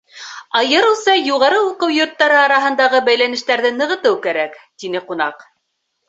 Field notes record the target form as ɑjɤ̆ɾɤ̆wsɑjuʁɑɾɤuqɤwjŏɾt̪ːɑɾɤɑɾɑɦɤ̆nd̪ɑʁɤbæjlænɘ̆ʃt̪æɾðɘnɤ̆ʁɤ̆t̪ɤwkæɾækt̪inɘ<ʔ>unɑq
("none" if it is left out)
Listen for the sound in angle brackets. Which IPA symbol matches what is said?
q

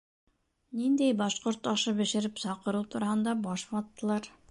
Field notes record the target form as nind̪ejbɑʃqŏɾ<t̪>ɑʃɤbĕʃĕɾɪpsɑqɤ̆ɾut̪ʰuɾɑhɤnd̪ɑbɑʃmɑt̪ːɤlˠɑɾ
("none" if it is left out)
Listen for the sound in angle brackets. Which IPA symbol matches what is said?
t̪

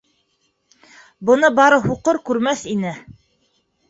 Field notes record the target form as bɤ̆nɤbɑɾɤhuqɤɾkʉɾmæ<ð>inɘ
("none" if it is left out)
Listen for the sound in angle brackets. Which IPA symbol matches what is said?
θ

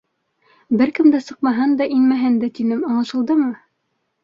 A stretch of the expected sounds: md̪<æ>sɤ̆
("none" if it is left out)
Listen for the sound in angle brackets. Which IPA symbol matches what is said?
æ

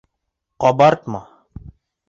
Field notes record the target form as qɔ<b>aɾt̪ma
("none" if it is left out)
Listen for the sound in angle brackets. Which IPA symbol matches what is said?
b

